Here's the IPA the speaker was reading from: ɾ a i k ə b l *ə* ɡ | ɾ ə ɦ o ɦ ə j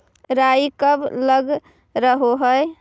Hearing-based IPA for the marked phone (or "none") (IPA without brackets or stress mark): ə